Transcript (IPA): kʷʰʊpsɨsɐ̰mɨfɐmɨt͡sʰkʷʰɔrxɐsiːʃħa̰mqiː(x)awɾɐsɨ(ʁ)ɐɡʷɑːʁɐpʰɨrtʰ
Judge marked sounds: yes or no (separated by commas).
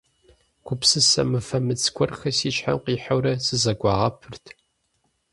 no, no